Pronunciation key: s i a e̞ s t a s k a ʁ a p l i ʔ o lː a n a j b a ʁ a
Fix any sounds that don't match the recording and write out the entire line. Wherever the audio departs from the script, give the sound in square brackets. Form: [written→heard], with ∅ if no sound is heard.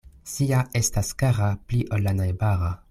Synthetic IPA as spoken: s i a e̞ s t a s k a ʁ a p l i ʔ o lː a n a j b a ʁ a